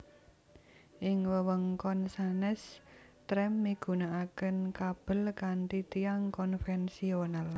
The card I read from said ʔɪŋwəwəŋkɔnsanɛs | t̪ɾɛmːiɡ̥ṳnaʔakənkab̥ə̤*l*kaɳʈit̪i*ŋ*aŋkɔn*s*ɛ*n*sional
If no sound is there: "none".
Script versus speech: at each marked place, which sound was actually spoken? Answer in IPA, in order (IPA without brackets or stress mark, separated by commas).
l, none, f, n